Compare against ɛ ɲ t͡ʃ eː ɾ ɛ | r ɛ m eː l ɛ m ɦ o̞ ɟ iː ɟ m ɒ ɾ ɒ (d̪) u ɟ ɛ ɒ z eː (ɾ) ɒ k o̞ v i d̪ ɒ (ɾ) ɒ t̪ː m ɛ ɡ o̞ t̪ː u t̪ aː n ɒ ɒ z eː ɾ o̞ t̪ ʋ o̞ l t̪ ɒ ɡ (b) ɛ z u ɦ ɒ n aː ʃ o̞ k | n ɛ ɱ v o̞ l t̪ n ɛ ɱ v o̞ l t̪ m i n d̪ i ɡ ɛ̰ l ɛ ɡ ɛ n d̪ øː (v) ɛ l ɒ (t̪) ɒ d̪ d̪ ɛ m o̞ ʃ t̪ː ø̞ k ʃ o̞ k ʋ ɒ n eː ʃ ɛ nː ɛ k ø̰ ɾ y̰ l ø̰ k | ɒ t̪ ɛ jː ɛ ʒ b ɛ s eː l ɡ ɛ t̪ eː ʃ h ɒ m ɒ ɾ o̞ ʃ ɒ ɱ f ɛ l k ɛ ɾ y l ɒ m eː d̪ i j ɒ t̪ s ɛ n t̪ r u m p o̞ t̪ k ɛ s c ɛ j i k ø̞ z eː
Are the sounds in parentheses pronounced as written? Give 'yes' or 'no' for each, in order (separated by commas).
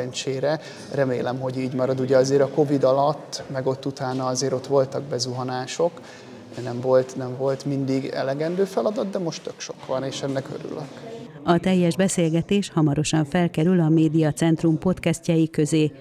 yes, yes, no, yes, no, no